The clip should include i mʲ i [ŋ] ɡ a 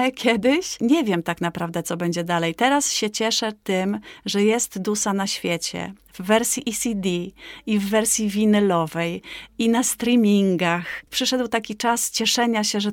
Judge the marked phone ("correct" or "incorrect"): correct